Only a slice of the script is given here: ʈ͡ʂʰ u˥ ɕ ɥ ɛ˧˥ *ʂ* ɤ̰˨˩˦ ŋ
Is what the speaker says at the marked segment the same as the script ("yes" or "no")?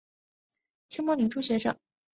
yes